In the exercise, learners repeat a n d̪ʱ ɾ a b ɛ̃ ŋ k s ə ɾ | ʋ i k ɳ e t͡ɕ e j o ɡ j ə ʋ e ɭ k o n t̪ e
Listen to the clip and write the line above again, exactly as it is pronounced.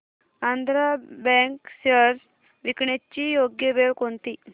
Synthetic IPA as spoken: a n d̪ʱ ɾ a b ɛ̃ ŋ k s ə ɾ | ʋ i k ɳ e t͡ɕ i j o ɡ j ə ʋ e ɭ k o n t̪ i